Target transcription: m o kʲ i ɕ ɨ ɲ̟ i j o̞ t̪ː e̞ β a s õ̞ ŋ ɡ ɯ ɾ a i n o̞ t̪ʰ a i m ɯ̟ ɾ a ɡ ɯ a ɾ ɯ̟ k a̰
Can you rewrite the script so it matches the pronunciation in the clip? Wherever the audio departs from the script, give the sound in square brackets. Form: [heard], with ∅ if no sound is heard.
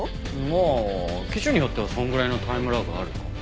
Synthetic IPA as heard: m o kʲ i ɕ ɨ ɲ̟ i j o̞ t̪ː e̞ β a s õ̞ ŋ ɡ ɯ ɾ a i n o̞ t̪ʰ a i m ɯ̟ ɾ a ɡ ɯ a ɾ ɯ̟ k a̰